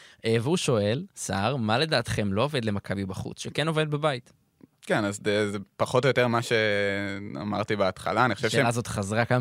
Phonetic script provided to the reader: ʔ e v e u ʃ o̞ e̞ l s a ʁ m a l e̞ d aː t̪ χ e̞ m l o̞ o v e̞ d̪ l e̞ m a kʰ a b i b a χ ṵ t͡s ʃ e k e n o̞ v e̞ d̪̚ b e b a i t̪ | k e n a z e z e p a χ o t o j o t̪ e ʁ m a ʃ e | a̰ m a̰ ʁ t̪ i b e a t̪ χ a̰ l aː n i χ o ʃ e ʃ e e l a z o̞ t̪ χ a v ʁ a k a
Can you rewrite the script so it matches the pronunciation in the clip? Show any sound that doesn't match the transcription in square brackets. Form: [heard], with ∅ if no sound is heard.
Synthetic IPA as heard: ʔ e v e u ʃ o̞ e̞ l s a ʁ m a l e̞ d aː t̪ χ e̞ m l o̞ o v e̞ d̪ l e̞ m a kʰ a b i b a χ ṵ t͡s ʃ e k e n o̞ v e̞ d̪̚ b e b a i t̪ | k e n a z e z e p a χ o t o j o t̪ e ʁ m a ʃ e | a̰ m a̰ ʁ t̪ i b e a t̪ χ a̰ l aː n i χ o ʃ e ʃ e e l a z o̞ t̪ χ a [z] ʁ a k a